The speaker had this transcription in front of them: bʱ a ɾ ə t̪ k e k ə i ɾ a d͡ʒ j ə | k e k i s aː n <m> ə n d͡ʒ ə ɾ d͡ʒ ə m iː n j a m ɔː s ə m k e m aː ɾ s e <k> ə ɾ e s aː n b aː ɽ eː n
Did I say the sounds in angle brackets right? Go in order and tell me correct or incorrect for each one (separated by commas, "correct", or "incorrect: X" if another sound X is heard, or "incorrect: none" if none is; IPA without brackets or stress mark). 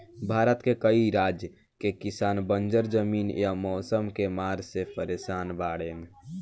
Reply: incorrect: b, incorrect: p